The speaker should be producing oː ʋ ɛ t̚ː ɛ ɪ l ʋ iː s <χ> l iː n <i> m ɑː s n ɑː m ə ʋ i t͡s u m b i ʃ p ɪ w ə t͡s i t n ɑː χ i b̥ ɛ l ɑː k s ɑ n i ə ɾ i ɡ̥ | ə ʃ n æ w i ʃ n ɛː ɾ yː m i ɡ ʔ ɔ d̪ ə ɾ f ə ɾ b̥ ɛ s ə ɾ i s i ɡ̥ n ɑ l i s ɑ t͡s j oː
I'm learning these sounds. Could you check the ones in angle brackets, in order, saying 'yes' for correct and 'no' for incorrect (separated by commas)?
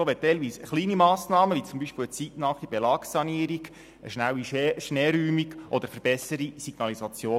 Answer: yes, yes